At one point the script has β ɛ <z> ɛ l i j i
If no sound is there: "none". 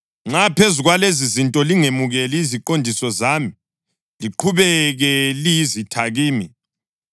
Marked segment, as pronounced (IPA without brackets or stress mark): ɣ